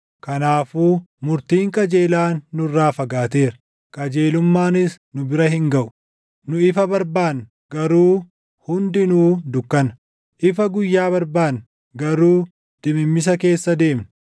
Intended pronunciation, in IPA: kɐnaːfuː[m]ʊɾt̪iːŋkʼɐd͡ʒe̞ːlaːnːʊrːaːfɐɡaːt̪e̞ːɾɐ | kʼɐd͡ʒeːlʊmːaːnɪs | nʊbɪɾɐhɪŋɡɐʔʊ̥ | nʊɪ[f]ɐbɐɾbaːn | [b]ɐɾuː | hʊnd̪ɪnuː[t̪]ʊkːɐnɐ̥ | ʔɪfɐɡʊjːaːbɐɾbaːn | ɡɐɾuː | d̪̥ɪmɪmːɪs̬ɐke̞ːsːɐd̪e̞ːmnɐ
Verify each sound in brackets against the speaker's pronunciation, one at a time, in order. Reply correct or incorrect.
correct, correct, incorrect, incorrect

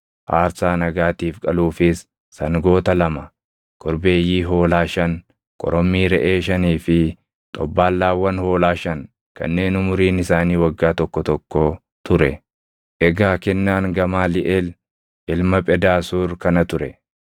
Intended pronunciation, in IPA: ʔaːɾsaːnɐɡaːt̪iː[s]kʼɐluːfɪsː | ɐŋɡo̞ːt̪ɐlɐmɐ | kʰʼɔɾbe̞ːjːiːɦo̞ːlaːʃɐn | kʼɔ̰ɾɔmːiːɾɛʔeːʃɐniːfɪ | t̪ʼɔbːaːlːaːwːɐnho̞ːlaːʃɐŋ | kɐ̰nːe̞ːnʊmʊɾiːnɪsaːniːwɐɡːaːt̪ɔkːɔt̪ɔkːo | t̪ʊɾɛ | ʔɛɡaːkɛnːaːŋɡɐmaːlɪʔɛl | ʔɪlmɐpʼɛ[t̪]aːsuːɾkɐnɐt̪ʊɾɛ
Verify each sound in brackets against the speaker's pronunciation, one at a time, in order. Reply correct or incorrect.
incorrect, incorrect

